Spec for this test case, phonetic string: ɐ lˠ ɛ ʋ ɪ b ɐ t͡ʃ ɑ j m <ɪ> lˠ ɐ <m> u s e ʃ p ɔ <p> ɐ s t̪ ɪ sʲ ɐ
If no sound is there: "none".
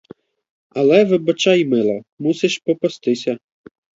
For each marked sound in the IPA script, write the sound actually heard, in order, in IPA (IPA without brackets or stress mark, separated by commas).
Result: ɪ, m, p